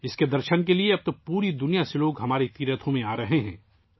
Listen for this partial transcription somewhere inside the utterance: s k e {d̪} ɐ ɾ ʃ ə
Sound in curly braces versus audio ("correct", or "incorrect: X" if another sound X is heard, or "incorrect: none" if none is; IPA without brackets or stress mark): correct